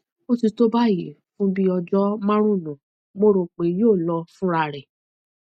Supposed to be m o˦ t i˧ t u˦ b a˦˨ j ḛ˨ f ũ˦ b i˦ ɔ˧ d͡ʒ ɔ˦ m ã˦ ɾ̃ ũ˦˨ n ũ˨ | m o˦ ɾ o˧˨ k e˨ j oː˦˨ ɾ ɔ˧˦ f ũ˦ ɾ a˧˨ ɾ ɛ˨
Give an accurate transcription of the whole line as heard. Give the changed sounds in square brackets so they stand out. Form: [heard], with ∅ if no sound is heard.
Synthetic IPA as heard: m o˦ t i˧ t [o˦] b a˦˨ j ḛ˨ f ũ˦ b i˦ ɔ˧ d͡ʒ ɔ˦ m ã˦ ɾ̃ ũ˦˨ n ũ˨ | m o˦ ɾ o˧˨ [k͡p] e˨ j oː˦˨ [l] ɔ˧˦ f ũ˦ ɾ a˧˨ ɾ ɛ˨